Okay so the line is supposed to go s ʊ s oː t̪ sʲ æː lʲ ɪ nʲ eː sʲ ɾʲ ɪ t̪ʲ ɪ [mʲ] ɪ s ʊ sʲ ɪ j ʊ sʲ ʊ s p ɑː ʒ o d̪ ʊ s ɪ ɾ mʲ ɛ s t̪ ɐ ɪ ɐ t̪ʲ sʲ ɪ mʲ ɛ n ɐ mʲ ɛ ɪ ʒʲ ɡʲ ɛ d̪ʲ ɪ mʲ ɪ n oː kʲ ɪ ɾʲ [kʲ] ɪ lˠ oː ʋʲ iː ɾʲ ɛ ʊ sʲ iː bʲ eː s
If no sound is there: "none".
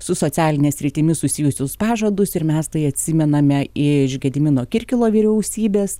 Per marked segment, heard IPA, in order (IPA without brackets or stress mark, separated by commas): mʲ, kʲ